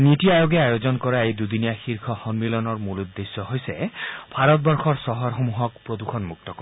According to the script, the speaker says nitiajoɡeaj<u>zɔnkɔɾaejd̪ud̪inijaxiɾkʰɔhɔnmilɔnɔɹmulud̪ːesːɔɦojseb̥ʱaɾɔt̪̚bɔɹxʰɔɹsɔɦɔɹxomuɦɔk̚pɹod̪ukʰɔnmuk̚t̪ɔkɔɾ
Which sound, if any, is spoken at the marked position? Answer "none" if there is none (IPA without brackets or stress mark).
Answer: o